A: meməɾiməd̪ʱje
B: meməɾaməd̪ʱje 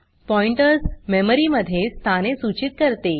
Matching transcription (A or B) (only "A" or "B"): A